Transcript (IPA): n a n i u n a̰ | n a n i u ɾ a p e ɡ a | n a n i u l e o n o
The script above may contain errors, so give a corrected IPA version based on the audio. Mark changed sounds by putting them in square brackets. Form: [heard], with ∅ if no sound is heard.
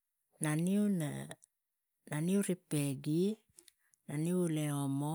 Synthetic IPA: n a n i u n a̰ | n a n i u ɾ [i] p e ɡ [i] | n a n i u l e o [m] o